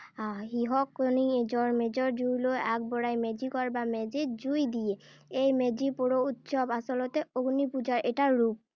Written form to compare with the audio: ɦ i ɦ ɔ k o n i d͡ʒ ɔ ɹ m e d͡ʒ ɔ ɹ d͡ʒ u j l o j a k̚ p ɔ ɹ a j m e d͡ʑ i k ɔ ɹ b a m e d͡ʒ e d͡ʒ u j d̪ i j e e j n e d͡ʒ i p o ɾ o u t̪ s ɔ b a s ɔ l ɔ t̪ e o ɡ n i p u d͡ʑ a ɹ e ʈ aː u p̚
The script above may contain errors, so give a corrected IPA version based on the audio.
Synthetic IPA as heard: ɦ i ɦ ɔ k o n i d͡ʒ ɔ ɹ m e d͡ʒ ɔ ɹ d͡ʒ u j l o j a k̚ b ɔ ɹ a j m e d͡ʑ i k ɔ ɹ b a m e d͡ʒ e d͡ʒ u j d̪ i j e e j m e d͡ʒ i p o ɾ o u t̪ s ɔ b a s ɔ l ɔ t̪ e o ɡ n i p u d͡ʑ a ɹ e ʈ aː u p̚